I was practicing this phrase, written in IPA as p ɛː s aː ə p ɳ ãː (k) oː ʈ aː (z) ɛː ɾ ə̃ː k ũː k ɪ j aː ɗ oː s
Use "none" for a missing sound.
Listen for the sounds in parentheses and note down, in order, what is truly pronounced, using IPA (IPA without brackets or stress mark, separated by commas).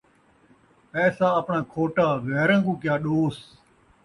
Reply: kʰ, ɣ